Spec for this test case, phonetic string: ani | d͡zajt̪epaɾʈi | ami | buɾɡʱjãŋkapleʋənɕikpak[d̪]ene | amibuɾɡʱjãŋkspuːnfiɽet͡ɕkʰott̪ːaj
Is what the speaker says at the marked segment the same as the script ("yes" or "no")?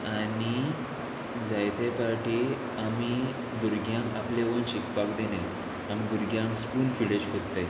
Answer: yes